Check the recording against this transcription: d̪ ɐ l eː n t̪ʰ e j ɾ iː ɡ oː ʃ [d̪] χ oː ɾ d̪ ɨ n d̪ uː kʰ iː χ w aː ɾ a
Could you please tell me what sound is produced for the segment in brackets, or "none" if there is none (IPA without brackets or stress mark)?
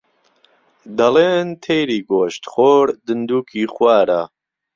t̪